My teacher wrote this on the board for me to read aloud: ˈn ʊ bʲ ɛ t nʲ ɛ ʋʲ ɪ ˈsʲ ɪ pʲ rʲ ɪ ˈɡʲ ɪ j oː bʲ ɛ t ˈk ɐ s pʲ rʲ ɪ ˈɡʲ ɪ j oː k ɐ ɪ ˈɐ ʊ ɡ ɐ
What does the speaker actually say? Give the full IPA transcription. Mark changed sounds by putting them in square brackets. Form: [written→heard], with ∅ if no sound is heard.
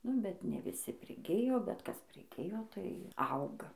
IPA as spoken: ˈn ʊ bʲ ɛ t nʲ ɛ ʋʲ ɪ ˈsʲ ɪ pʲ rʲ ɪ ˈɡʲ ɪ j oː bʲ ɛ t ˈk ɐ s pʲ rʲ ɪ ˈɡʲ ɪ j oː [k→t] ɐ ɪ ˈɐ ʊ ɡ ɐ